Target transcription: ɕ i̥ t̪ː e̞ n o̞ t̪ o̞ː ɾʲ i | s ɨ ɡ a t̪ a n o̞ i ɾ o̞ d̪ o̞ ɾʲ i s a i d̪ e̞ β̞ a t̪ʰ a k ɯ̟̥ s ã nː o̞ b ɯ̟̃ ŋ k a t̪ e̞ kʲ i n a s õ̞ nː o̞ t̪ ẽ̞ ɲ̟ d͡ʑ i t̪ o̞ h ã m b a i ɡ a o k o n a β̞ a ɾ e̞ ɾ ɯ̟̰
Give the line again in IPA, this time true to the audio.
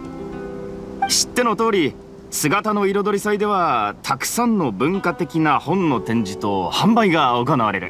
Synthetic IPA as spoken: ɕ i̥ t̪ː e̞ n o̞ t̪ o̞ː ɾʲ i | s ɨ ɡ a t̪ a n o̞ i ɾ o̞ d̪ o̞ ɾʲ i s a i d̪ e̞ β̞ a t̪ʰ a k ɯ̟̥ s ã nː o̞ b ɯ̟̃ ŋ k a t̪ e̞ kʲ i n a h õ̞ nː o̞ t̪ ẽ̞ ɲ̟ d͡ʑ i t̪ o̞ h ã m b a i ɡ a o k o n a β̞ a ɾ e̞ ɾ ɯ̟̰